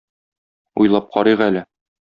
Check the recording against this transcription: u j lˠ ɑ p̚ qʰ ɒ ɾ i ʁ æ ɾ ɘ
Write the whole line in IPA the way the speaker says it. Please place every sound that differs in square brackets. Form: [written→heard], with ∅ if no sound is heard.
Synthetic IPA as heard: u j lˠ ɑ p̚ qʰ ɒ ɾ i ʁ æ [ɾ→l] ɘ